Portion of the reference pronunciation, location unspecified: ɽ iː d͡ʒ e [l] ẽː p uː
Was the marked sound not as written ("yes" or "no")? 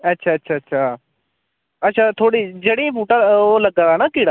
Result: yes